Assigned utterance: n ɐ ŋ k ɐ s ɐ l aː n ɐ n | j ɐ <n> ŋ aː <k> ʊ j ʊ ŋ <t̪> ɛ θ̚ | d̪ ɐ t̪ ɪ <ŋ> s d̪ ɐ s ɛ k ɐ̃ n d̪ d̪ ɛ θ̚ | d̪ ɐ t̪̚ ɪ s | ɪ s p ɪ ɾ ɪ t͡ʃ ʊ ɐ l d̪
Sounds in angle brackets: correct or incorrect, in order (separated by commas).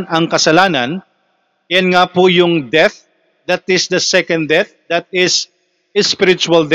correct, incorrect, incorrect, incorrect